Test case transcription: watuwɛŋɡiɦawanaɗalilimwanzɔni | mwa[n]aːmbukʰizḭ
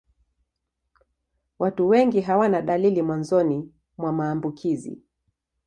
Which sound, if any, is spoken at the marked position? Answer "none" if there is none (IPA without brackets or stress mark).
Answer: m